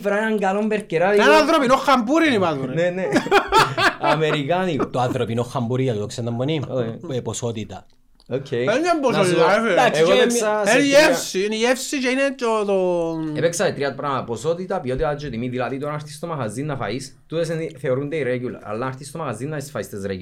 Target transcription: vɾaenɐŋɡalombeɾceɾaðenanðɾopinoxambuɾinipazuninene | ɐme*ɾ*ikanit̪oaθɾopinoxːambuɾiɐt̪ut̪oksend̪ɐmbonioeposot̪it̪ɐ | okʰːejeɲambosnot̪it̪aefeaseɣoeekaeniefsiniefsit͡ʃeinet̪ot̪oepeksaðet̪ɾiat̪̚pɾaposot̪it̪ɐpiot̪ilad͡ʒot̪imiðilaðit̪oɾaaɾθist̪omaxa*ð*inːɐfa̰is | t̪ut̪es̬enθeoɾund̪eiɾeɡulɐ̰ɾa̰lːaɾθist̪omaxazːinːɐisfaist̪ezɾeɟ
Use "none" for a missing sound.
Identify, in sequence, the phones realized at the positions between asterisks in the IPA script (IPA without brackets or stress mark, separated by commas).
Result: ɾ, z